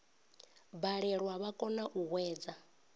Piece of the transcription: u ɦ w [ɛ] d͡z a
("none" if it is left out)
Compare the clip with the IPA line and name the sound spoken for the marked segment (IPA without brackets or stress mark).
ɛː